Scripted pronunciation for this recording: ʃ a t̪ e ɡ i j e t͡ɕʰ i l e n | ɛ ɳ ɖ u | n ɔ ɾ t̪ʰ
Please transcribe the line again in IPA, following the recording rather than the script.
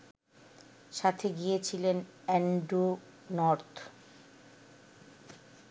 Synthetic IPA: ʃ a t̪ʰ e ɡ i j e t͡ɕʰ i l e n | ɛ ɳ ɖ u | n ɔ ɾ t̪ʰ